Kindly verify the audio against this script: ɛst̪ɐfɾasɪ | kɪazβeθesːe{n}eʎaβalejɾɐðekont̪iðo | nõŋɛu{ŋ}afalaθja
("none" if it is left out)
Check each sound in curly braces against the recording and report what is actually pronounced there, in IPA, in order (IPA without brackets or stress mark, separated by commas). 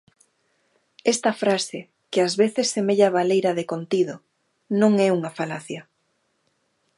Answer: m, ŋ